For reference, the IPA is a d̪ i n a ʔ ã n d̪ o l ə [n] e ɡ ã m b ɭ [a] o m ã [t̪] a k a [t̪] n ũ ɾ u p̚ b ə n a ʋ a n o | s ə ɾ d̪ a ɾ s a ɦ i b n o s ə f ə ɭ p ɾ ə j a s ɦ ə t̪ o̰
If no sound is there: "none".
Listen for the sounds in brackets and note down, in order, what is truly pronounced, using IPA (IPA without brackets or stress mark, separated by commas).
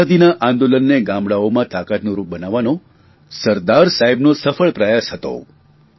nː, a, t̪, t̪